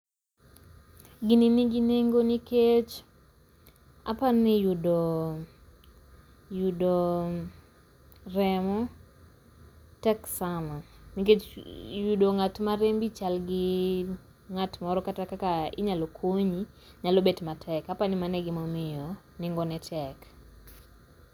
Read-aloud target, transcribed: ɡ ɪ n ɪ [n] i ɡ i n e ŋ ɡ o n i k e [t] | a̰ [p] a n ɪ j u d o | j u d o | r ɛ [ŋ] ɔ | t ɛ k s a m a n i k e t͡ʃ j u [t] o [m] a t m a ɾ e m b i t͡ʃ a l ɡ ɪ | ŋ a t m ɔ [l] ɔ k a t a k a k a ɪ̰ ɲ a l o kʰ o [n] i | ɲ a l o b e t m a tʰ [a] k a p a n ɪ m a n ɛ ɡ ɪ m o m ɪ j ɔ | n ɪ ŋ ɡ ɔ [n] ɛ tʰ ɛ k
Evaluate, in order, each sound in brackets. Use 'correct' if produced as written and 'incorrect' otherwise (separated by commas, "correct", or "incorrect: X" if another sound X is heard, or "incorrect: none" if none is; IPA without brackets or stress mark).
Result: correct, incorrect: t͡ʃ, correct, incorrect: m, incorrect: d, incorrect: ŋ, incorrect: ɾ, incorrect: ɲ, incorrect: ɛ, correct